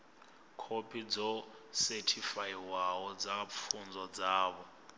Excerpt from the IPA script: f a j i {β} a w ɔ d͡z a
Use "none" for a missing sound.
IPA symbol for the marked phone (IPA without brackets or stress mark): w